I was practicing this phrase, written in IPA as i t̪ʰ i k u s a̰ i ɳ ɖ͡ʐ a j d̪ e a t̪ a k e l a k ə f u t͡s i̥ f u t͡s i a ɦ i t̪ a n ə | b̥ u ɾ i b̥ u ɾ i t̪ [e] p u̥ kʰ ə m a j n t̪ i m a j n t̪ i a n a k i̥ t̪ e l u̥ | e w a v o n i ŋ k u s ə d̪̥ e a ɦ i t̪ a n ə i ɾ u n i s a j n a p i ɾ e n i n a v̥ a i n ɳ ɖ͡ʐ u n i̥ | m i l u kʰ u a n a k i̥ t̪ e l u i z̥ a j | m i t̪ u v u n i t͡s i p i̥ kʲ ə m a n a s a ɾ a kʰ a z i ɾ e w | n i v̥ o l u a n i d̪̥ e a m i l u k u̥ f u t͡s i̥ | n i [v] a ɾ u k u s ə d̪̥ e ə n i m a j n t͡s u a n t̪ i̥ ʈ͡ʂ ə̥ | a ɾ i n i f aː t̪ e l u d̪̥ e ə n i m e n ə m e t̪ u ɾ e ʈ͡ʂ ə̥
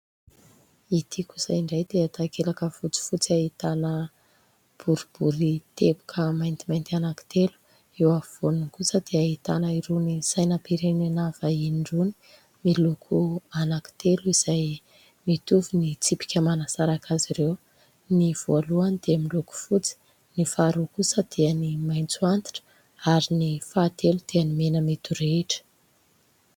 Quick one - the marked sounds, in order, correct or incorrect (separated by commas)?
correct, incorrect